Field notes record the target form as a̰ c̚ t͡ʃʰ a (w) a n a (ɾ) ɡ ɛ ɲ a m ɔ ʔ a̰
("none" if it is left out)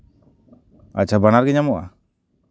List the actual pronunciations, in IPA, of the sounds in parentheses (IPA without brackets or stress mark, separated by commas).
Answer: b, ɾ